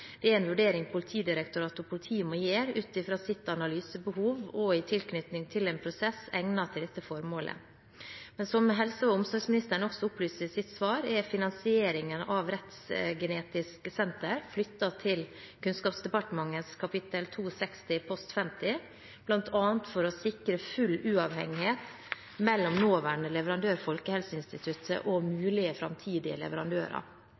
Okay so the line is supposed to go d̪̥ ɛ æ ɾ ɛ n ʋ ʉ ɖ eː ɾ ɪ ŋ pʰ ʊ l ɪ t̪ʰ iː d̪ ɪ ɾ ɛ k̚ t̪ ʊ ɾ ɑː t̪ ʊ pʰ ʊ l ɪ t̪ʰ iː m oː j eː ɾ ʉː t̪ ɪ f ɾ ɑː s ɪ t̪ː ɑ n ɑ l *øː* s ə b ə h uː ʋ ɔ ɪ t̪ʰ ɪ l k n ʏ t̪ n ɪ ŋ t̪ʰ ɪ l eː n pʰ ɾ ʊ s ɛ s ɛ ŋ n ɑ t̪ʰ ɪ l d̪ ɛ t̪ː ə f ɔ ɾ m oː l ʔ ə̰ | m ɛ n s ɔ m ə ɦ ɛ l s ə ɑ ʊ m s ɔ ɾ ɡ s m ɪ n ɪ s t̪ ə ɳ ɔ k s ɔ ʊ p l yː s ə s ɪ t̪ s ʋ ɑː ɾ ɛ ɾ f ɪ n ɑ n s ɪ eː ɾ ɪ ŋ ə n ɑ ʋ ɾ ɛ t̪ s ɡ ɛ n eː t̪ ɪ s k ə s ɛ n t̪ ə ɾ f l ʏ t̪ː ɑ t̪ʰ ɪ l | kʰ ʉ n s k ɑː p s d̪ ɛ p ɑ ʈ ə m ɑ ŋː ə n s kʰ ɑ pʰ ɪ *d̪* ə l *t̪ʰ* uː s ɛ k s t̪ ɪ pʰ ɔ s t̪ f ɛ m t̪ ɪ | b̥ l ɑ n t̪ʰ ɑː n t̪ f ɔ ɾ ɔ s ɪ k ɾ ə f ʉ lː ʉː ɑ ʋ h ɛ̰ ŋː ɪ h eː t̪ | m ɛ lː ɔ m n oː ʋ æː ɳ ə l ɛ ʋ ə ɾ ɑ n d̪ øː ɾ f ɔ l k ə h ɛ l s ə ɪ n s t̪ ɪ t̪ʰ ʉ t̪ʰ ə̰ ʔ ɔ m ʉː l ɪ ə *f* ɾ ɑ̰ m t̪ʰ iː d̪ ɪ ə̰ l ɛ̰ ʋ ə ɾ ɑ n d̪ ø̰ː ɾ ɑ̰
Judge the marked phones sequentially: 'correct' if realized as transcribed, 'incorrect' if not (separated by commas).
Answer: incorrect, incorrect, correct, correct